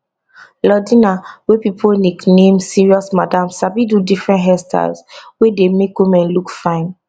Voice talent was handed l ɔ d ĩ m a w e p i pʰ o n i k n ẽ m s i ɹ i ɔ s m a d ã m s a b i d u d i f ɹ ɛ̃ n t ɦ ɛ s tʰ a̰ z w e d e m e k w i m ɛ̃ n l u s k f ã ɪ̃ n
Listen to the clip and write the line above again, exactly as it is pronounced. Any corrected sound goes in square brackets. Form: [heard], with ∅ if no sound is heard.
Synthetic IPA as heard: l ɔ d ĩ [n] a w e p i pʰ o n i k n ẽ m s i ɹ i ɔ s m a d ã m s a b i d u d i f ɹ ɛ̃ n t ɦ ɛ s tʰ a̰ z w e d e m e k w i m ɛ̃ n l u [∅] k f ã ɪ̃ n

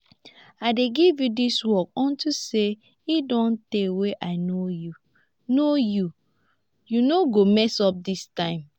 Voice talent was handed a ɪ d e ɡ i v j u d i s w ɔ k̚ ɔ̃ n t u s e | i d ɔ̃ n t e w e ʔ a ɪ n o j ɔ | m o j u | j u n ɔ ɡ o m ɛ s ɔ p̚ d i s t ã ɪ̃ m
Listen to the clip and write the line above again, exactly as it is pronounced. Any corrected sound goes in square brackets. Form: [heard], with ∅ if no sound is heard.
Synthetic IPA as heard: a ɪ d e ɡ i v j u d i s w ɔ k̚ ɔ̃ n t u s e | i d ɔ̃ n t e w e ʔ a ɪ n o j [u] | [n] o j u | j u n [o] ɡ o m ɛ s ɔ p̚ d i s t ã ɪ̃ m

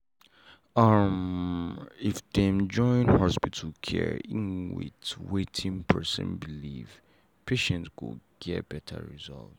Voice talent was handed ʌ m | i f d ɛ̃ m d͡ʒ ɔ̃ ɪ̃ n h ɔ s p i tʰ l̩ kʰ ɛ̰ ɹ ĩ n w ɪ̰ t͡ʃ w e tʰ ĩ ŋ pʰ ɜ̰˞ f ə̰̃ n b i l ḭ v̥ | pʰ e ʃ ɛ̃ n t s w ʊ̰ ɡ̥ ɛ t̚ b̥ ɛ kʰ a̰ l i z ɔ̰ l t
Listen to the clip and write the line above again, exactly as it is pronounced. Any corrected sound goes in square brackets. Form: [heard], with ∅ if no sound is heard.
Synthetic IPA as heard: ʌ m | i f d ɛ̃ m d͡ʒ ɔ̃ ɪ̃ n h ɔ s p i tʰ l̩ kʰ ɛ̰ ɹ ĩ n w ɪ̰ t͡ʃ w e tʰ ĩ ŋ pʰ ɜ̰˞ [s] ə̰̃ n b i l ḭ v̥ | pʰ e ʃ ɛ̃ n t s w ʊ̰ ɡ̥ ɛ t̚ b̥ ɛ [tʰ] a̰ [ɹ] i z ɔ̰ l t

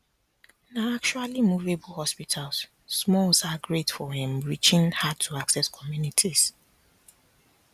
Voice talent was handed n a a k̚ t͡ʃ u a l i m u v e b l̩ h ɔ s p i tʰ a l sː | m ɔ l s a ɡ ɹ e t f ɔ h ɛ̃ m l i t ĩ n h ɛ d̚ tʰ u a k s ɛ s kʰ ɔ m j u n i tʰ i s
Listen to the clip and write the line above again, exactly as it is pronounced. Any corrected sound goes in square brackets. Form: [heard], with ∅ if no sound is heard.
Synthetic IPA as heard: n a a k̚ t͡ʃ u a l i m u v e b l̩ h ɔ s p i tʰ a l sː | m ɔ l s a ɡ ɹ e t f ɔ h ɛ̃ m [ɹ] i [t͡ʃ] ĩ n h [a] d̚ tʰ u a k s ɛ s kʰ ɔ m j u n i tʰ i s

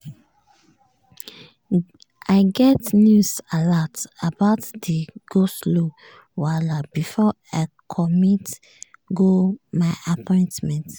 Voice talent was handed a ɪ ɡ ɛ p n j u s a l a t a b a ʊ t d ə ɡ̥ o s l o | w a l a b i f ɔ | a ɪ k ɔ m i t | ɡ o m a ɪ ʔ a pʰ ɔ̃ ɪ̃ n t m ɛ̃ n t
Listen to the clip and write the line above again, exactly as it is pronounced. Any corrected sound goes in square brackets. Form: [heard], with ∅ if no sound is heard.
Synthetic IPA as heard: a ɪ ɡ ɛ [t] n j u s a l a t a b a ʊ t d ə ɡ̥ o s l o | w a l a b i f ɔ | a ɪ [kʰ] ɔ m i t | ɡ o m a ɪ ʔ a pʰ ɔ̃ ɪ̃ n t m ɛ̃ n t

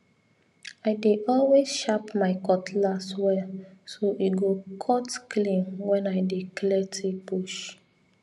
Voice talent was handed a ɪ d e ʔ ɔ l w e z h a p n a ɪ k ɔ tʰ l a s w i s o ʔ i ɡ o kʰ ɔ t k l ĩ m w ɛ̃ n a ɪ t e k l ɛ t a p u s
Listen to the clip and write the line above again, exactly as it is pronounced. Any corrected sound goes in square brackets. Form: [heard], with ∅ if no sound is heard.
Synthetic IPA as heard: a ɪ d e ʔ ɔ l w e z [ʃ] a p [m] a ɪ k ɔ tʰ l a s w [ɛ] s o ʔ i ɡ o kʰ ɔ t k l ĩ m w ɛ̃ n a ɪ [d] e k l ɛ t [i] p u [ʃ]

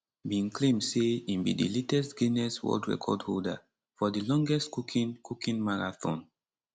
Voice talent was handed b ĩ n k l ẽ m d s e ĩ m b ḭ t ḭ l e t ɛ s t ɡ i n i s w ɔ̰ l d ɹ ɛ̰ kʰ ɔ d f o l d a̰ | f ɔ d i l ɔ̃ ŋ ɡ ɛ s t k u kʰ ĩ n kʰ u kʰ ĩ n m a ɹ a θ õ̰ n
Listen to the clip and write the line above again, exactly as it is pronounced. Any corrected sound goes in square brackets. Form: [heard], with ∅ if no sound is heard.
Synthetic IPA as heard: b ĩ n k l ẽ m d s e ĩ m b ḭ [d] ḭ l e t ɛ s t ɡ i n [ɛ] s w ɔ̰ l d ɹ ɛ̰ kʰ ɔ d [h] o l d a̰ | f ɔ d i l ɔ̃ ŋ ɡ ɛ s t k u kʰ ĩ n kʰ u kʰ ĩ n m a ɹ a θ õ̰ n

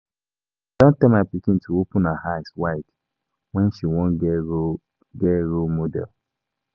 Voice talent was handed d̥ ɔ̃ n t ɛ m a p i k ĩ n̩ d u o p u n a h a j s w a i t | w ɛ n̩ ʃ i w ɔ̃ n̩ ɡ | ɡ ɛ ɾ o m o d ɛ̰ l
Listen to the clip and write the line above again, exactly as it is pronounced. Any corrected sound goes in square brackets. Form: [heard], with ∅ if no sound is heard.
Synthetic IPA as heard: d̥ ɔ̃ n t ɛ m a p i k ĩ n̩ [t] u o p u n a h a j s w a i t | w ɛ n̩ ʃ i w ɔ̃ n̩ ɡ | ɡ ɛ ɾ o m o d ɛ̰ l

